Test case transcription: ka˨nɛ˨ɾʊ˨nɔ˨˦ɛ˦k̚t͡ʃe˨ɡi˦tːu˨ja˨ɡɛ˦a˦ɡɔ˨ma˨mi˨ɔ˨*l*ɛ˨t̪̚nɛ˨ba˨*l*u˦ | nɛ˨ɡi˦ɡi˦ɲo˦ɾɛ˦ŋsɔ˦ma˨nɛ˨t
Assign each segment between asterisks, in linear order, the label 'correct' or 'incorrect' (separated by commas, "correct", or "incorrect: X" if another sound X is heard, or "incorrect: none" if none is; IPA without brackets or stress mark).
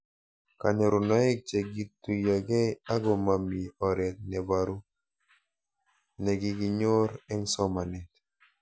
incorrect: ɾ, incorrect: ɾ